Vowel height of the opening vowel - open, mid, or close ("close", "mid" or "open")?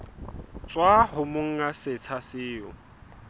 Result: open